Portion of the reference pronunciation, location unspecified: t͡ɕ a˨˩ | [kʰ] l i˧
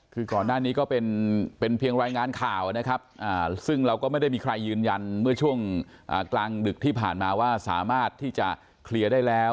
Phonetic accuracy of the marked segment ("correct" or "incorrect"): correct